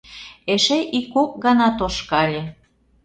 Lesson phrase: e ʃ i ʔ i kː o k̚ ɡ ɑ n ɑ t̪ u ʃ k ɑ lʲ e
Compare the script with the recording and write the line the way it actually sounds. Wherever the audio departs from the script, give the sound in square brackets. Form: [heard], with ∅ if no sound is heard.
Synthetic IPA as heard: e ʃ [e] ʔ i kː o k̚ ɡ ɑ n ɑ t̪ [o] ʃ k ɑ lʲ e